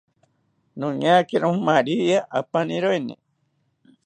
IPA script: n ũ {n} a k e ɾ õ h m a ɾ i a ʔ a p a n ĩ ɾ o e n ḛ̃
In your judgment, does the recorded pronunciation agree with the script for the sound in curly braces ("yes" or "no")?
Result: no